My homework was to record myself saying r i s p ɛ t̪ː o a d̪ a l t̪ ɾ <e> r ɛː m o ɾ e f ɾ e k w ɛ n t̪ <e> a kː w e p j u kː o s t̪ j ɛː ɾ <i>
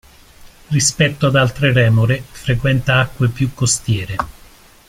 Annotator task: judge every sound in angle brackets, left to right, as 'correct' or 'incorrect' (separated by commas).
correct, incorrect, incorrect